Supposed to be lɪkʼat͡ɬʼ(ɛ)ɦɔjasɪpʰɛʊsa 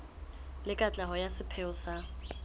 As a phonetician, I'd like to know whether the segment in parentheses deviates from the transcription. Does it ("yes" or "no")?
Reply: yes